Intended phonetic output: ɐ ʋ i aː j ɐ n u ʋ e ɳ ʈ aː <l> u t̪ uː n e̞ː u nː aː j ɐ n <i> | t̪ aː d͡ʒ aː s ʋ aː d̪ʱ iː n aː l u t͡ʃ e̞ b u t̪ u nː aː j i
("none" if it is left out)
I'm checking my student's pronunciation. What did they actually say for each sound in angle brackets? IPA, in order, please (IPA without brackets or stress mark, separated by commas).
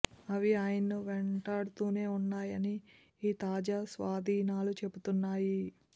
ɽ, iː